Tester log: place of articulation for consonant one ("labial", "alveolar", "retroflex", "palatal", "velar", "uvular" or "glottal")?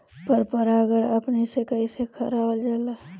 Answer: labial